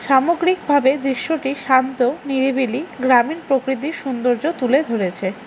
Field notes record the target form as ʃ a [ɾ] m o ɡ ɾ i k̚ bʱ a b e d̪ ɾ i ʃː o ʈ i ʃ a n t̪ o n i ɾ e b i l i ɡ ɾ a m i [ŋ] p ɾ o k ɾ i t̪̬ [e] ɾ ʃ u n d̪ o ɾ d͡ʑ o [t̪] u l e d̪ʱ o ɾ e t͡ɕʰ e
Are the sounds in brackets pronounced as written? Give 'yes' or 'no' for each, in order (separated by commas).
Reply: no, no, no, yes